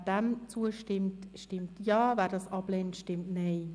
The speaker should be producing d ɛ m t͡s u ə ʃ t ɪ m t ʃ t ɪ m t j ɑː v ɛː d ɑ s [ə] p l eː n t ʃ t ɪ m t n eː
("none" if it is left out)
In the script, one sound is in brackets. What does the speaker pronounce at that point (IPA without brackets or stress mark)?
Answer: ɑ